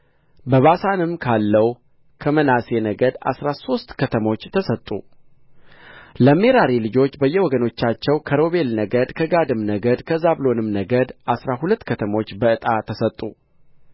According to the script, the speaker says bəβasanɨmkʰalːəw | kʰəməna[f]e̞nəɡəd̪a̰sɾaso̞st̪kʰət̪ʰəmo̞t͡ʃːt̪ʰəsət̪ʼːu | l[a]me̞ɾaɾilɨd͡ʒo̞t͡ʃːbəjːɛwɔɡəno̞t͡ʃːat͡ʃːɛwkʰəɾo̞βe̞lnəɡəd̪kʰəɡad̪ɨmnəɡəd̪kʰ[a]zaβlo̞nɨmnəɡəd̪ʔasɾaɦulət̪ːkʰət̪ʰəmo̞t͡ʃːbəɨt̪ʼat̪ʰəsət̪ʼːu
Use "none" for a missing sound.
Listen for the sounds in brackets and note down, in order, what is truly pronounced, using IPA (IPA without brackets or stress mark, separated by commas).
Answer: s, ə, ə